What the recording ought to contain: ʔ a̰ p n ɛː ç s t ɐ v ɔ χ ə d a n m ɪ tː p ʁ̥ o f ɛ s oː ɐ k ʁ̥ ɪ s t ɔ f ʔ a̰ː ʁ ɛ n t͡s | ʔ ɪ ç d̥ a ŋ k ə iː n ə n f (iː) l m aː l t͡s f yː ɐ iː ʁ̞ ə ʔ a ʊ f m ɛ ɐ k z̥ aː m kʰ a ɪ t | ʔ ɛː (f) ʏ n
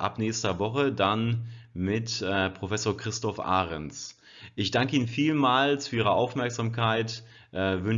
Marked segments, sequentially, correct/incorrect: correct, incorrect: v

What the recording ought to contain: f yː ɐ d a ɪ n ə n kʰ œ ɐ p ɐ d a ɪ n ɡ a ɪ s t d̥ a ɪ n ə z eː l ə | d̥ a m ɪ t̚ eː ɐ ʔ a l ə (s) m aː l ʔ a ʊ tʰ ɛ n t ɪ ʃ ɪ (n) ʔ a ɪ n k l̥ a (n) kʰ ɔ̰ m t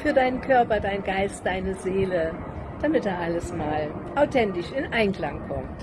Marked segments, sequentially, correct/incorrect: correct, correct, incorrect: ŋ

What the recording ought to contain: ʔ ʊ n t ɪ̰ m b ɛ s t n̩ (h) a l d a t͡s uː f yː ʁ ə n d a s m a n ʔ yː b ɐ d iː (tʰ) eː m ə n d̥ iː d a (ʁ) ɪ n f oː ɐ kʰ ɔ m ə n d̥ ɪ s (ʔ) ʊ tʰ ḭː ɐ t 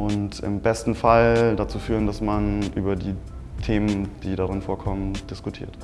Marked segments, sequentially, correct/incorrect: incorrect: f, correct, correct, incorrect: k

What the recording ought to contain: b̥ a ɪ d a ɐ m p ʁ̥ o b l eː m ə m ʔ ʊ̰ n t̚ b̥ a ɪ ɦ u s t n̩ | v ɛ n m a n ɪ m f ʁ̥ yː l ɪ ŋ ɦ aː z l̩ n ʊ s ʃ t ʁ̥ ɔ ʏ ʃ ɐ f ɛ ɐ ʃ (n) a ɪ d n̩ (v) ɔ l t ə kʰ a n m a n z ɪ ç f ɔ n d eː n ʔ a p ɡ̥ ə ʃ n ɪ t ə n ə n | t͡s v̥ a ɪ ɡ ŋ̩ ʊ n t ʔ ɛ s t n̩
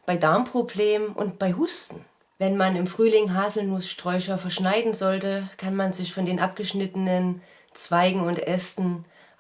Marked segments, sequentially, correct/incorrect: correct, incorrect: z

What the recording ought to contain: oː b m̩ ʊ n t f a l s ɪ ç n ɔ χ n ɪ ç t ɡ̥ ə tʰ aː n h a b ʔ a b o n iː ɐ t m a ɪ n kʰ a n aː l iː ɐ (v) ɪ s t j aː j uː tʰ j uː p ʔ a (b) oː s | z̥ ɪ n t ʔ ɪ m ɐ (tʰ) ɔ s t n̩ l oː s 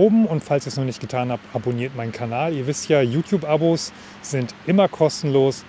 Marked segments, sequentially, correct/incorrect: correct, correct, incorrect: kʰ

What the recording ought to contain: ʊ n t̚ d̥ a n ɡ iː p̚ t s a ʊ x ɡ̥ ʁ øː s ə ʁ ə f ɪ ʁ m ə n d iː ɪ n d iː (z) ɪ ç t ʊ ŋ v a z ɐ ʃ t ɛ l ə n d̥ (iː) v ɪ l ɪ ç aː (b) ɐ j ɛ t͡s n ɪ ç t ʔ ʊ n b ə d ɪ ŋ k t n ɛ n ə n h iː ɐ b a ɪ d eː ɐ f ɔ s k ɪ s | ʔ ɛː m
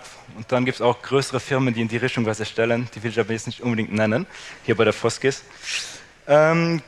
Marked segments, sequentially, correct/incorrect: incorrect: ʁ, correct, correct

